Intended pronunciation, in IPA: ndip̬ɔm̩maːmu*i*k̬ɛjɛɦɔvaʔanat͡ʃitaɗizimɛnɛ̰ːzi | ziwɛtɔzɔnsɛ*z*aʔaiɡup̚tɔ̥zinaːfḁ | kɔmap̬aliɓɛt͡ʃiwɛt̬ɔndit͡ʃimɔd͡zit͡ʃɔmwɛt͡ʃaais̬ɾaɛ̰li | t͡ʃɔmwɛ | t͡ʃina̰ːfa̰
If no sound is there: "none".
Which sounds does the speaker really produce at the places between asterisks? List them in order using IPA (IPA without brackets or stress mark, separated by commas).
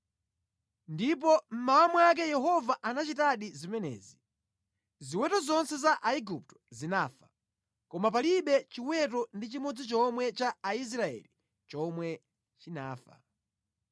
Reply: a, z